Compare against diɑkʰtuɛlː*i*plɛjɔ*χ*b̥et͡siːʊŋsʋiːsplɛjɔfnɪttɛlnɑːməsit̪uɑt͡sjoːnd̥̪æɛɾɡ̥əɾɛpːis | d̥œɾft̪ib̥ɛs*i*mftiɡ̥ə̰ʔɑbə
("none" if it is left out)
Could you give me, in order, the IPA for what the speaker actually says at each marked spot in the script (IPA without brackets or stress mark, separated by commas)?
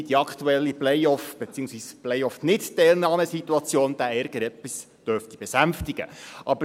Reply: i, f, æ